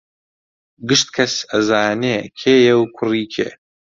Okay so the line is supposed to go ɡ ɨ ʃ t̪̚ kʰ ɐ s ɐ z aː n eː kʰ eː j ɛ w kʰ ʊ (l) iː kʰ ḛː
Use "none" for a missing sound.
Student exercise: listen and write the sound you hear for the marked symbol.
r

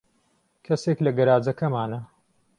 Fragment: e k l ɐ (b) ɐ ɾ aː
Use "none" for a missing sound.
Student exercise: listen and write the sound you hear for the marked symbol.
ɡ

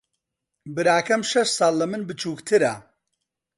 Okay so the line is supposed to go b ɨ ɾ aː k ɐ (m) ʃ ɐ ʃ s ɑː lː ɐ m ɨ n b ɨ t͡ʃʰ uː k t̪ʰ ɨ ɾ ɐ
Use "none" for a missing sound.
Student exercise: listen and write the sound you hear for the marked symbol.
m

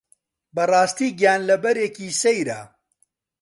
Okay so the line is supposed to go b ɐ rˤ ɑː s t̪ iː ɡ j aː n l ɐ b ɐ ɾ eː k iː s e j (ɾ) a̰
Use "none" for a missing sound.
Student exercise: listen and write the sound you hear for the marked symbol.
ɾ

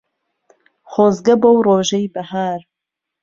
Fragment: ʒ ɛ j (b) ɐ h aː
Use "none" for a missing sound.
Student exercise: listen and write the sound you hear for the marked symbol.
b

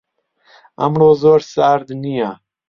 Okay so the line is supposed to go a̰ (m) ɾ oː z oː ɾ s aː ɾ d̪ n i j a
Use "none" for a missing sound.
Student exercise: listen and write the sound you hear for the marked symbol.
m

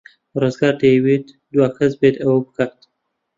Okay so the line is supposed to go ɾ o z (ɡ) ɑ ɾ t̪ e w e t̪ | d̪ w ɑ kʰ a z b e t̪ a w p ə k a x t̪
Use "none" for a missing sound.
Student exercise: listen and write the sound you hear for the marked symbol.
ɡ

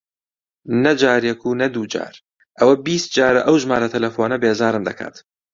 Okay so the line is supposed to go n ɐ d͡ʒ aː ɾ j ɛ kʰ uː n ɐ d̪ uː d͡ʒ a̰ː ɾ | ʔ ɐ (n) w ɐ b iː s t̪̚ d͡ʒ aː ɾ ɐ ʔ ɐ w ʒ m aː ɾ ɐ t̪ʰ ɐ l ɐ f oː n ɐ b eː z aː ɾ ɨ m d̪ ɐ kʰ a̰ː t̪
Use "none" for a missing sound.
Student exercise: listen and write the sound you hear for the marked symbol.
none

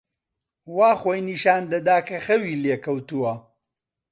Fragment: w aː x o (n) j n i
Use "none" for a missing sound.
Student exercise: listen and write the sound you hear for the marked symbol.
none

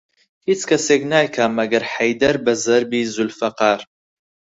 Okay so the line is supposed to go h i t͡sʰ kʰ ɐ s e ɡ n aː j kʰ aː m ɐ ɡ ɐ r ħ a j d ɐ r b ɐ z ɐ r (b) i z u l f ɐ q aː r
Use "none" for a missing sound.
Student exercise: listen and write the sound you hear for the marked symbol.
b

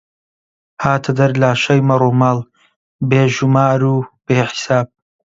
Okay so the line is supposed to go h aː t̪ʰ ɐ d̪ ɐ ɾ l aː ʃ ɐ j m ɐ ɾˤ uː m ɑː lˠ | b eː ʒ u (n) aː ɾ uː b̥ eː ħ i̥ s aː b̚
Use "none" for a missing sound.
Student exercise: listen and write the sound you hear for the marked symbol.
m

